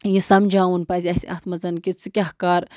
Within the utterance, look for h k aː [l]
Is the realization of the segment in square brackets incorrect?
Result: yes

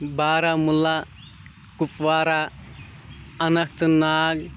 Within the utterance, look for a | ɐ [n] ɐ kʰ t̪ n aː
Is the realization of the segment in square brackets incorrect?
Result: no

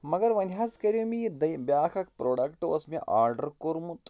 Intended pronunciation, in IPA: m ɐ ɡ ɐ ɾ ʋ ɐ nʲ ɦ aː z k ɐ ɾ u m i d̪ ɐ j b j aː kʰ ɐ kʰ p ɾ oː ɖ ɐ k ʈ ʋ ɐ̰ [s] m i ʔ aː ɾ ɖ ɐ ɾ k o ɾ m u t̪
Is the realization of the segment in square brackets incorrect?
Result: no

